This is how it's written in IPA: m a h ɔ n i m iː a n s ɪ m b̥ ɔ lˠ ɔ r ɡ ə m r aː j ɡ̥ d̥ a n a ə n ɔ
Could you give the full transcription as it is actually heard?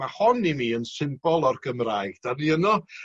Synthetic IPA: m a h ɔ n i m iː ə n s ɪ m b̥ ɔ lˠ ɔ r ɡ ə m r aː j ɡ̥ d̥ a n i ə n ɔ

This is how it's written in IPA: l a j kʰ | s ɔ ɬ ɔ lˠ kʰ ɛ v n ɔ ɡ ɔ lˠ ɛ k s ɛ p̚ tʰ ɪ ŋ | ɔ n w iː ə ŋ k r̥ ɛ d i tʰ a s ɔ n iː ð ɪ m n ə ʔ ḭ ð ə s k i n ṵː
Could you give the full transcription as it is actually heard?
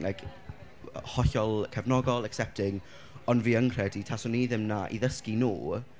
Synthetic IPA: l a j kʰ | h ɔ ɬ ɔ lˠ kʰ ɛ v n ɔ ɡ ɔ lˠ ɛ k s ɛ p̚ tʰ ɪ ŋ | ɔ n v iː ə ŋ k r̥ ɛ d i tʰ a s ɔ n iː ð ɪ m n a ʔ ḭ ð ə s k i n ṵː

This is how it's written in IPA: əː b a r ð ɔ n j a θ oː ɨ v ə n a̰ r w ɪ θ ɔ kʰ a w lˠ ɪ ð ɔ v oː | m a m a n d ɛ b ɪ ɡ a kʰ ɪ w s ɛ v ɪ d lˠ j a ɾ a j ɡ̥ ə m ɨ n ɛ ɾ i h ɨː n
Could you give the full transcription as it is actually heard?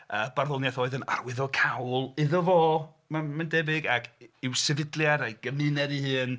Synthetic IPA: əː b a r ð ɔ n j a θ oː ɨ ð ə n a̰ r w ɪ ð ɔ kʰ a w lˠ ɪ ð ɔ v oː | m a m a n d ɛ b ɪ ɡ a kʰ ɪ w s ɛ v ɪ d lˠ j a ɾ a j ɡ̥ ə m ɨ n ɛ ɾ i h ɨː n

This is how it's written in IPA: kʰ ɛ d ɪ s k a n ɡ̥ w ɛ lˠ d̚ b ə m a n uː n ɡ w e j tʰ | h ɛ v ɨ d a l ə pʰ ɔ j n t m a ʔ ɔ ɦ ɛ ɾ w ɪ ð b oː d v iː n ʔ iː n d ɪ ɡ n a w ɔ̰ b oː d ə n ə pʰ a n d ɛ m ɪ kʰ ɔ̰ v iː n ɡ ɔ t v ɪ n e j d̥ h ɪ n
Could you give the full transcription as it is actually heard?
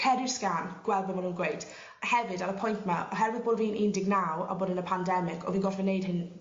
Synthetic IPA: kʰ ɛ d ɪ s k a n ɡ̥ w ɛ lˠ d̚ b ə m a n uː n ɡ w e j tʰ | h ɛ v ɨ d a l ə pʰ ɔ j n t m a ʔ ɔ ɦ ɛ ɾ w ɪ ð b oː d v iː n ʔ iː n d ɪ ɡ n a w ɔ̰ b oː d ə n ə pʰ a n d ɛ m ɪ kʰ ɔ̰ v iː n ɡ ɔ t v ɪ n e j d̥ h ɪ n

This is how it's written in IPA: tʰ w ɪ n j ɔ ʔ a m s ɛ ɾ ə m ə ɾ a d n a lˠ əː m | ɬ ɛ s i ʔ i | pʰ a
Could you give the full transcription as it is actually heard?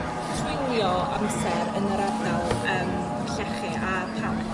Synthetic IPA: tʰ w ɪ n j ɔ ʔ a m s ɛ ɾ ə n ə ɾ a d n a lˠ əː m | ɬ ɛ χ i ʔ a | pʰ a

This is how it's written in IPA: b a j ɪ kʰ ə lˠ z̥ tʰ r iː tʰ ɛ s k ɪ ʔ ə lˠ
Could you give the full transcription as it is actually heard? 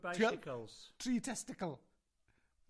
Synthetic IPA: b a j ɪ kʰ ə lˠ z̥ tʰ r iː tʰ ɛ s t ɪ k ə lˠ

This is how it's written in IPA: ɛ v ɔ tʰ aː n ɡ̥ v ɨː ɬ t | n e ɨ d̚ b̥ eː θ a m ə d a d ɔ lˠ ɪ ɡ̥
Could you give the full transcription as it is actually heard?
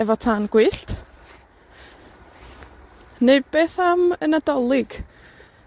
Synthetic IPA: ɛ v ɔ tʰ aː n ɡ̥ w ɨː ɬ t | n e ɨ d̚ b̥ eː θ a m ə n a d ɔ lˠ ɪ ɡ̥

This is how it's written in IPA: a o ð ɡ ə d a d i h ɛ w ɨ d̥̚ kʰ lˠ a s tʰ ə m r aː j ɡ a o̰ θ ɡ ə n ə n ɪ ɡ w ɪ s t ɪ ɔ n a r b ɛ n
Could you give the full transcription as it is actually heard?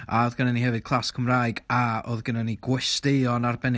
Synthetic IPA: a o ð ɡ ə n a n i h ɛ v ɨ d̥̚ kʰ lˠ a s kʰ ə m r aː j ɡ a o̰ ð ɡ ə n a n i ɡ w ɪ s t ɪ ɔ n a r b ɛ n

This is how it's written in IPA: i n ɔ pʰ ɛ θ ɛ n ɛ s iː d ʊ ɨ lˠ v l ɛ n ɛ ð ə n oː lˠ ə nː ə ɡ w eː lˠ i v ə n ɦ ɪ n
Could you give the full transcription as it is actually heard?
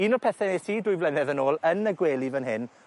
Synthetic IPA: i n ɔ pʰ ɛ θ ɛ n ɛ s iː d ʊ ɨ v l ɛ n ɛ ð ə n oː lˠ ə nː ə ɡ w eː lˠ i v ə n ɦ ɪ n

